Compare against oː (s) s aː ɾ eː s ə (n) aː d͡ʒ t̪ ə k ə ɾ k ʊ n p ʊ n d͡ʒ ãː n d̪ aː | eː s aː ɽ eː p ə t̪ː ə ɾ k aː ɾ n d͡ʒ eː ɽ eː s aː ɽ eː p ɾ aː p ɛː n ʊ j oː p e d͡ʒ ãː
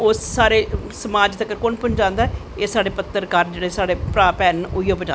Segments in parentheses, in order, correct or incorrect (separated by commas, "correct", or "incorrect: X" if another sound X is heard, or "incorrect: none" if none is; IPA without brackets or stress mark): correct, incorrect: m